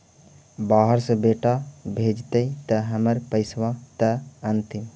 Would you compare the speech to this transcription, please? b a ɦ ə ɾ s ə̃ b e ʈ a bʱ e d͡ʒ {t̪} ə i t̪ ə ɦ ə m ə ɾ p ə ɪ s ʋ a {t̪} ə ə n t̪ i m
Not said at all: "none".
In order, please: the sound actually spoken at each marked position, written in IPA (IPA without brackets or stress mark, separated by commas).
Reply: t̪, t̪